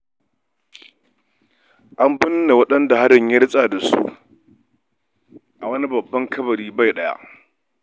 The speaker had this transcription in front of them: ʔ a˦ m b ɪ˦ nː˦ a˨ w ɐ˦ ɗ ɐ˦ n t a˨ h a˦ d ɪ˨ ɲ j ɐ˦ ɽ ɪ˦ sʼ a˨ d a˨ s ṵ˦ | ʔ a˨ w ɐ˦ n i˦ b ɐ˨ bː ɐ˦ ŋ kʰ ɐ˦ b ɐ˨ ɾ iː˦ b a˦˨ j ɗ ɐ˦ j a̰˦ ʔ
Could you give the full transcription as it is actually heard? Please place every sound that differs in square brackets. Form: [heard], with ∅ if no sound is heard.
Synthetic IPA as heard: ʔ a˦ m b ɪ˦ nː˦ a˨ w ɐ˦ ɗ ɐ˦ n [d] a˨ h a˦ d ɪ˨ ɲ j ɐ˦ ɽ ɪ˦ sʼ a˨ d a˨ s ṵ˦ | ʔ a˨ w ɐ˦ n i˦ b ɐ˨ bː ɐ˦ ŋ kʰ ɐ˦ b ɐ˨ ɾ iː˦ b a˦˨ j ɗ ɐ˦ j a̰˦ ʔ